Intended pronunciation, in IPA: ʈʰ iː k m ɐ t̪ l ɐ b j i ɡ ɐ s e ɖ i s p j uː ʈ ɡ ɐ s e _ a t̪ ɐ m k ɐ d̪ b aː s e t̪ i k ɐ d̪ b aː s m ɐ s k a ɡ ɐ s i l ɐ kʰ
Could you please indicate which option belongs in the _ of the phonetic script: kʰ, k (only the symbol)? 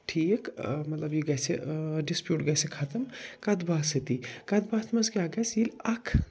kʰ